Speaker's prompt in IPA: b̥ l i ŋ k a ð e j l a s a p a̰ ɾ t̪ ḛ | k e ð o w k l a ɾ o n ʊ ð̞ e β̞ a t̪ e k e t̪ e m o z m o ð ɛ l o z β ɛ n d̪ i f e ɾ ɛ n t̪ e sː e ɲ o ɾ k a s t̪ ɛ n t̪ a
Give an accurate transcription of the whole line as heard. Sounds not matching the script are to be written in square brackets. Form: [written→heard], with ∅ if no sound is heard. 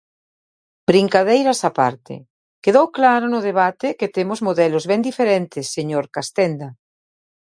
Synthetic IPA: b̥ [l→ɾ] i ŋ k a ð e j [l→ɾ] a s a p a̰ ɾ t̪ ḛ | k e ð o w k l a ɾ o n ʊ ð̞ e β̞ a t̪ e k e t̪ e m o z m o ð ɛ l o z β ɛ n d̪ i f e ɾ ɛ n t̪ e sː e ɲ o ɾ k a s t̪ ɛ n [t̪→d̪] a